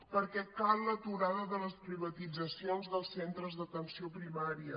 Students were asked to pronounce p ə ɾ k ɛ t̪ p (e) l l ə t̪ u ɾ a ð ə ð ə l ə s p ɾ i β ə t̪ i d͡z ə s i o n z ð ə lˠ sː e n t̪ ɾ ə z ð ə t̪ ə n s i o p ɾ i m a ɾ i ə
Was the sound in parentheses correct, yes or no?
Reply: no